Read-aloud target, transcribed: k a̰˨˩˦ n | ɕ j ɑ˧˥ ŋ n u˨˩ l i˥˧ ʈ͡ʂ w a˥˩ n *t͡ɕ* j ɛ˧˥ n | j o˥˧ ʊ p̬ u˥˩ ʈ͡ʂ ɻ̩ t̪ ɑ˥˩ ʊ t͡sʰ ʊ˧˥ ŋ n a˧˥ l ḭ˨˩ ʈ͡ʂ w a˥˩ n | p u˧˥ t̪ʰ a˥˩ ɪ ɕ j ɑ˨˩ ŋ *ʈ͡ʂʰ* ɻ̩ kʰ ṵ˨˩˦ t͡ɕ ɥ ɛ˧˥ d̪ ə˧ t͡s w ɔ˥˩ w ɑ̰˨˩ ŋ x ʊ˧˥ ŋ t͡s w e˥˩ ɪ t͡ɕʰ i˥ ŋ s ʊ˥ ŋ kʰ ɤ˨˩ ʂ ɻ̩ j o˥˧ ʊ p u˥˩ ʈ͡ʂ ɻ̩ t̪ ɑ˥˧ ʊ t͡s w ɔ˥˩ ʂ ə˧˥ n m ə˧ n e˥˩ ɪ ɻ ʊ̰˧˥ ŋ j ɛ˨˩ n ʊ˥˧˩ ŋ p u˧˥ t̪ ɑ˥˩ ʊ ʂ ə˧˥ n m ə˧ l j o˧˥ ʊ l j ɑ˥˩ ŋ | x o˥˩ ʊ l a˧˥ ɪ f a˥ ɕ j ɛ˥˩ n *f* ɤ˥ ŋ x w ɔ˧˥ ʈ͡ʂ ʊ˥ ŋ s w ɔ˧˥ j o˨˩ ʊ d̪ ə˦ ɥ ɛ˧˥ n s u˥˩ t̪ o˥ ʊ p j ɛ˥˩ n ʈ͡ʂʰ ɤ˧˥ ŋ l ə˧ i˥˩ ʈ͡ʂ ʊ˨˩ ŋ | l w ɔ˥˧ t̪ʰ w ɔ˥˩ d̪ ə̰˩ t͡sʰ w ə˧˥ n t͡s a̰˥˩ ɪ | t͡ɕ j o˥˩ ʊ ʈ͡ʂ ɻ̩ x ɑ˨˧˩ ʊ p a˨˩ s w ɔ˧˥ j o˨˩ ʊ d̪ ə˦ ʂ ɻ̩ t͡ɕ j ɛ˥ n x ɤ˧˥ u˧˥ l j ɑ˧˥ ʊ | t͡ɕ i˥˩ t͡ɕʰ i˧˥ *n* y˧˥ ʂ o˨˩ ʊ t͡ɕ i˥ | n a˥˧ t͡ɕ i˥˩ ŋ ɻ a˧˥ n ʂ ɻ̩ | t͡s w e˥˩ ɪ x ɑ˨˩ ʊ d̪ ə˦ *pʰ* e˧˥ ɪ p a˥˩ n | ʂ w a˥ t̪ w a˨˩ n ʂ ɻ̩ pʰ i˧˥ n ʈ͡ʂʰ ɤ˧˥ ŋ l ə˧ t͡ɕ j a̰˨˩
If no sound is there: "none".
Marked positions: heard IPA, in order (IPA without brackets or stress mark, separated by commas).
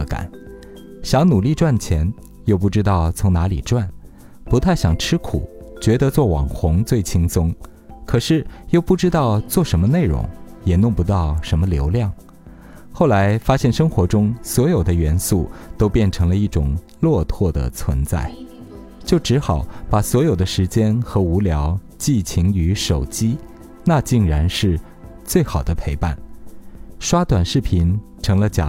t͡ɕʰ, ʈ͡ʂʰ, ʂ, ŋ, pʰ